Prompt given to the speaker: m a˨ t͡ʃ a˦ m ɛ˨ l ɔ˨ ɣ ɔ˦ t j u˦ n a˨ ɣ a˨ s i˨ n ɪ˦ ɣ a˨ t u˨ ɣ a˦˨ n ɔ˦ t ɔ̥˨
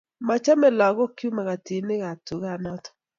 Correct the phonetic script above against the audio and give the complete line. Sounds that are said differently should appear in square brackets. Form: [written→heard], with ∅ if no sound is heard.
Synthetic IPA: m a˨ t͡ʃ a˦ m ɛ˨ l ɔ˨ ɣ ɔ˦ [t→k] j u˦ [n→m] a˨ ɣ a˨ [s→t] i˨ n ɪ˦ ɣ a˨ t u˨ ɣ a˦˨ n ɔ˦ t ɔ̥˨

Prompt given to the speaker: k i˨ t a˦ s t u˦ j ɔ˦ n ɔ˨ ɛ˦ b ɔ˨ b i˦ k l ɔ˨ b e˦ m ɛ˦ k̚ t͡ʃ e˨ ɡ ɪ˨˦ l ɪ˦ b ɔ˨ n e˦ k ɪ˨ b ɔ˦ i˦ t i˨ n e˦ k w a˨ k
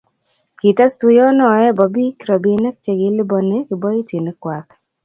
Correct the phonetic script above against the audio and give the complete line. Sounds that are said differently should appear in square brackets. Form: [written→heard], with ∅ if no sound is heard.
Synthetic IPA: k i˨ t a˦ s t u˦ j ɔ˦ n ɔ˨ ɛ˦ b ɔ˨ b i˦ k [l→ɾ] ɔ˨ b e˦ [m→n] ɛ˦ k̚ t͡ʃ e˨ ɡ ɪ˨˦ l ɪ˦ b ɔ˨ n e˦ k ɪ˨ b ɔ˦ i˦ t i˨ n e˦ k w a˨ k

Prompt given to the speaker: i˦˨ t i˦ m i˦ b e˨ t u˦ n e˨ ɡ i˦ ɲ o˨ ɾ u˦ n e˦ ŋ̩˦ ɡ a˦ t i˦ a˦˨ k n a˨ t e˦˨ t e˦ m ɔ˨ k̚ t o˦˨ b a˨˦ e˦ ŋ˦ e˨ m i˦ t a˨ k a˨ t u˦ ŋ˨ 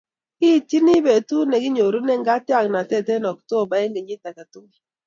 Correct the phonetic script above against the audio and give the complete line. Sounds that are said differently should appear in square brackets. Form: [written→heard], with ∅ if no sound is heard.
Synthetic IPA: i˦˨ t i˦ [m→n] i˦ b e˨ t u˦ n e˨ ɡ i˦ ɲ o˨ ɾ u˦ n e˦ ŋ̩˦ ɡ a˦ t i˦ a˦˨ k n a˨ t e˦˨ t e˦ [m→n] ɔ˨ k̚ t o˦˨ b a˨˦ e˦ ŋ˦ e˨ [m→ɲ] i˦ t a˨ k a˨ t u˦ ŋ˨

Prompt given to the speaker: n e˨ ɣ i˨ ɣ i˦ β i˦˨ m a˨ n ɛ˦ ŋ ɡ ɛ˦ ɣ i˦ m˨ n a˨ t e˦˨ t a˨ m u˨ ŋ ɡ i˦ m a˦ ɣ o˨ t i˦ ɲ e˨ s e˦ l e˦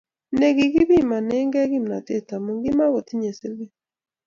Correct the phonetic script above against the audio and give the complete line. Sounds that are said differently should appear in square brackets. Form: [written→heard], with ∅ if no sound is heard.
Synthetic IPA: n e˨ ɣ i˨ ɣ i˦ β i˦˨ m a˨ n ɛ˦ ŋ ɡ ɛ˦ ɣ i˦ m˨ n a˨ t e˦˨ t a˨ m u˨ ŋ ɡ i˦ m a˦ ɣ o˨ t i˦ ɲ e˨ s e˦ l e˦

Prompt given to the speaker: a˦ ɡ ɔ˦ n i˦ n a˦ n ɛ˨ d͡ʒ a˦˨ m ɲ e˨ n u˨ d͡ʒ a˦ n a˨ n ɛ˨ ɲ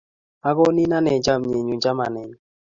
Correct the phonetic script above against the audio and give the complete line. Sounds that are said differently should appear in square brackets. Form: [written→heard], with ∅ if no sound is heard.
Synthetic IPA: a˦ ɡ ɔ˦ n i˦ n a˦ n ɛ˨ d͡ʒ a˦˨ m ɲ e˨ [n→ɲ] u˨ d͡ʒ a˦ [n→m] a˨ n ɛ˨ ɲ

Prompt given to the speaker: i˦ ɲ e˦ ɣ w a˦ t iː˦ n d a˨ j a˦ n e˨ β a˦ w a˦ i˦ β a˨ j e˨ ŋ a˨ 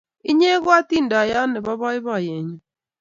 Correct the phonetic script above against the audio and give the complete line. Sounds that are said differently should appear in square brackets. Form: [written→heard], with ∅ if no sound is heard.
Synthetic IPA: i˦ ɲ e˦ ɣ w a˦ t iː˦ n d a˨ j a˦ n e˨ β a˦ [w→β] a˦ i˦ β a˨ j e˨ [ŋ→ɲ] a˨

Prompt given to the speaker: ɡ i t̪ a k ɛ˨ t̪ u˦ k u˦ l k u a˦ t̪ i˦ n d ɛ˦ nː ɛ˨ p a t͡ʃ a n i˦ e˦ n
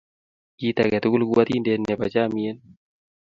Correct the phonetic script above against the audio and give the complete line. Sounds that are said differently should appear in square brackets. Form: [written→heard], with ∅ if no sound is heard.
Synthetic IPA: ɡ i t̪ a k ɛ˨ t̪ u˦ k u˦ l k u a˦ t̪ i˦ n d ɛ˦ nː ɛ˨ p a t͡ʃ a [n→m] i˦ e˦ n

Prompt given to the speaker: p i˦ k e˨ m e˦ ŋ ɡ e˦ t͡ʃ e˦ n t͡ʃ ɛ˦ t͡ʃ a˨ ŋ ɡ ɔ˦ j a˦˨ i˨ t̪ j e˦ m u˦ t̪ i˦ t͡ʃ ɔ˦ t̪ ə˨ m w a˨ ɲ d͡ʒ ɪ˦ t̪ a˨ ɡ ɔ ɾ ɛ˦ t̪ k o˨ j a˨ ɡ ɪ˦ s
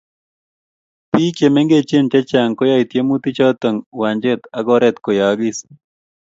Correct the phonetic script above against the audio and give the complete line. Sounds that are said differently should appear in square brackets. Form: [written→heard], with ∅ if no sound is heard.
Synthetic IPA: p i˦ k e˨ m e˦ ŋ ɡ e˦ t͡ʃ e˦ n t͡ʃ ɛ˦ t͡ʃ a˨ ŋ [ɡ→k] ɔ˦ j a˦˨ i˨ t̪ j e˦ m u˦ t̪ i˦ t͡ʃ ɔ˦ t̪ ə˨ [m→ŋ] w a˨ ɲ d͡ʒ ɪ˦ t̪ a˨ ɡ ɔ ɾ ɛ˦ t̪ k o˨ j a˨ ɡ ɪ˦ s

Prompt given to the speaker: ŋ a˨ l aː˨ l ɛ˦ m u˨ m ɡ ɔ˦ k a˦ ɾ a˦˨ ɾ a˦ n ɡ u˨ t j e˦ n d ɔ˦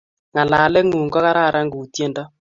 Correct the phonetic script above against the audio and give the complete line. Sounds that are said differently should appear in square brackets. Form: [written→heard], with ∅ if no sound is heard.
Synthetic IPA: ŋ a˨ l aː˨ l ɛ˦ [m→ŋ] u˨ [m→ŋ] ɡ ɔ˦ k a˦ ɾ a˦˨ ɾ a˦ [n→ŋ] ɡ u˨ t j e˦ n d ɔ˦

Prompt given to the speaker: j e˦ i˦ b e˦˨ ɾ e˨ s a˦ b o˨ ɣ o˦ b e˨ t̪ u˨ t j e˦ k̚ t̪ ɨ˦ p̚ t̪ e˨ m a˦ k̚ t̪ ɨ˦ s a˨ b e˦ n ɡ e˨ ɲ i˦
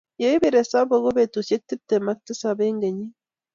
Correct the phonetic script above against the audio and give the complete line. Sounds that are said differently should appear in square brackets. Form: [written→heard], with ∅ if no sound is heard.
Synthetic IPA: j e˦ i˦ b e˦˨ ɾ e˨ s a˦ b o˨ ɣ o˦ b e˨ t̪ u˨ [t→s] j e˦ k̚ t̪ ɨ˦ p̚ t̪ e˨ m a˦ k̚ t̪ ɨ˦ s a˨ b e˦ [n→ŋ] ɡ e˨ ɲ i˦

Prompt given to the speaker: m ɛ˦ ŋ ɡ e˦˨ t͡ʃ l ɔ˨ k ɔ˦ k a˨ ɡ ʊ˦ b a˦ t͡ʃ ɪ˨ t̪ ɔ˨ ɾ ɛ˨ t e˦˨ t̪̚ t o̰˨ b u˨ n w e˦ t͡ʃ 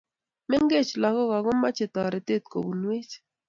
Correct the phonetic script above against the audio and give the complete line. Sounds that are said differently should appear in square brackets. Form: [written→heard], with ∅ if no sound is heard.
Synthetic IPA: m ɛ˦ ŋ ɡ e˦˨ t͡ʃ l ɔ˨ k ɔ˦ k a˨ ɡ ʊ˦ [b→m] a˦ t͡ʃ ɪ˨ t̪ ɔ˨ ɾ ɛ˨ t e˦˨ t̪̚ [t→k] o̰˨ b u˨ n w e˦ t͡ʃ

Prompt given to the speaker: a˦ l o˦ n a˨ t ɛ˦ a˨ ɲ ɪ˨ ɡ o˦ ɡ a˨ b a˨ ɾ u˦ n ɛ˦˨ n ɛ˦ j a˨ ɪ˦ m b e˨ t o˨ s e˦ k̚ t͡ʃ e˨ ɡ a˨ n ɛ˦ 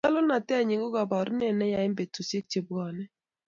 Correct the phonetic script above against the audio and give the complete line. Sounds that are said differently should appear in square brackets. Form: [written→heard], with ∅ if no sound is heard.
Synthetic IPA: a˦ l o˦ n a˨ t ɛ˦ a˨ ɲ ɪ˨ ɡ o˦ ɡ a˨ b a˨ ɾ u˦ n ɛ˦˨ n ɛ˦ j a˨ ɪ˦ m b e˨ t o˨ s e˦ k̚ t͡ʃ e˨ [ɡ→b] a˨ n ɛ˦

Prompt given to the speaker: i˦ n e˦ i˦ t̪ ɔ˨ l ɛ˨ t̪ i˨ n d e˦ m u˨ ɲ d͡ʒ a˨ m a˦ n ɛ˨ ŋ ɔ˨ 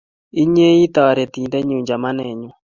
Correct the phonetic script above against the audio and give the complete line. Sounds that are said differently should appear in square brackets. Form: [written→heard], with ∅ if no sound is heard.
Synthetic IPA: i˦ [n→ɲ] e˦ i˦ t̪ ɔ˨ [l→ɾ] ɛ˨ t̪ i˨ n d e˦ [m→ɲ] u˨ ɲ d͡ʒ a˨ m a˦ n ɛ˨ [ŋ→ɲ] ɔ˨

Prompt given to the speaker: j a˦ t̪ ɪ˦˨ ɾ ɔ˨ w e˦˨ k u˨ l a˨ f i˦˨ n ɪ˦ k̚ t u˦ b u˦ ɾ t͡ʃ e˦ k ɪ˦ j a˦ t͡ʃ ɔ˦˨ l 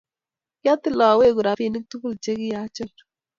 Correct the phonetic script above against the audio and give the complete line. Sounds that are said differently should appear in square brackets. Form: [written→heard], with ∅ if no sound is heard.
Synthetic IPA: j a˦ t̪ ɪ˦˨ [ɾ→l] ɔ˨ w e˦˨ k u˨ [l→ɾ] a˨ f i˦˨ n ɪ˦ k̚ t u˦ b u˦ [ɾ→l] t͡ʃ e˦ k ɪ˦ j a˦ t͡ʃ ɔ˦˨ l

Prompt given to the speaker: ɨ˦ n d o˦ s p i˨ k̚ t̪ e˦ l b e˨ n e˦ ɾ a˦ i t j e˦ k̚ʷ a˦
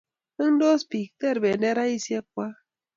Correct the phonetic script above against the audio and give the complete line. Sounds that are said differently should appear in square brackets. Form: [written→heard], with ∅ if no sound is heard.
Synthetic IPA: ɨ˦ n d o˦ s p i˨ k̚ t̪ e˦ [l→ɾ] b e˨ n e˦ ɾ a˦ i [t→s] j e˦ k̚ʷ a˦

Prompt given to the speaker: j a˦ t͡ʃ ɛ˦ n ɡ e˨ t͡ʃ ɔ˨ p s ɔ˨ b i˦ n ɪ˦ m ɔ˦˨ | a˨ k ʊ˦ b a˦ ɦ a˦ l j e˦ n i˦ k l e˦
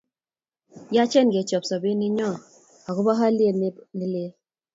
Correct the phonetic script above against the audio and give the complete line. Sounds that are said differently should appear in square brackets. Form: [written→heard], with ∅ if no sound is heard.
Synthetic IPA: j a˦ t͡ʃ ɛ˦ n ɡ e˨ t͡ʃ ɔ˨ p s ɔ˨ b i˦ n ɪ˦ [m→ɲ] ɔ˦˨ | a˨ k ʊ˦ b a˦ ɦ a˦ l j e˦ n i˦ [k→∅] l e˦

